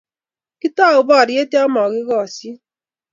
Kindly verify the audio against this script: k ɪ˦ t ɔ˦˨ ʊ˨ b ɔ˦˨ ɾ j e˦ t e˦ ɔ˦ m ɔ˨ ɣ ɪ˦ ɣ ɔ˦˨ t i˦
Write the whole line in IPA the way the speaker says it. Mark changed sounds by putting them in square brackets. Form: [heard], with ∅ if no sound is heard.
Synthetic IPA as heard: k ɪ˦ t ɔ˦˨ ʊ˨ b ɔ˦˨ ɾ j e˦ t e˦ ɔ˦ m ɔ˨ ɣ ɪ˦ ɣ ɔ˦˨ [s] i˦